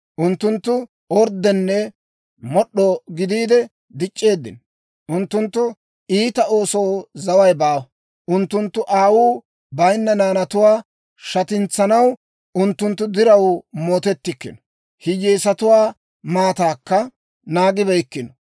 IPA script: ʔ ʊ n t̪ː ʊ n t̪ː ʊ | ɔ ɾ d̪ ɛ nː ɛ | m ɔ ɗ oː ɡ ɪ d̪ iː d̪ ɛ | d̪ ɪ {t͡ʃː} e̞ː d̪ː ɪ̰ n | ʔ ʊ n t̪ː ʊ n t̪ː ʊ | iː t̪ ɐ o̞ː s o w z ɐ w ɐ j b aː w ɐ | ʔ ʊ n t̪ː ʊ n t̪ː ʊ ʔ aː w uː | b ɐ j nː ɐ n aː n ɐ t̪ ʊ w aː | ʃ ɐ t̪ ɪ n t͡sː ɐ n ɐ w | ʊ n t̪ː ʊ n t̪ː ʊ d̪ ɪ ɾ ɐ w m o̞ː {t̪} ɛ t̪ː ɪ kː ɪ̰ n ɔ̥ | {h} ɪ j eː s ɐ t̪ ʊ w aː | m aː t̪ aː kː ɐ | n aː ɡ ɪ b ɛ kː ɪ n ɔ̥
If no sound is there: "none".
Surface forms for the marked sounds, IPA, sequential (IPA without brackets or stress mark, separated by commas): t͡ʃʼː, t̪, h